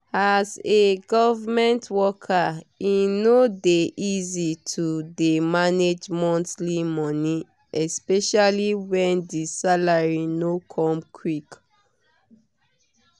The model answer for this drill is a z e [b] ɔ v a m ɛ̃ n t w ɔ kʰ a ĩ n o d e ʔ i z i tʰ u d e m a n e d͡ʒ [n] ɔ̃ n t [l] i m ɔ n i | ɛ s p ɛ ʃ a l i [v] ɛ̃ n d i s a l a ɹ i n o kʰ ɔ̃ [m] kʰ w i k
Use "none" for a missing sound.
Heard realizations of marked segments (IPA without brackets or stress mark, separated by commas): ɡ, m, l, w, m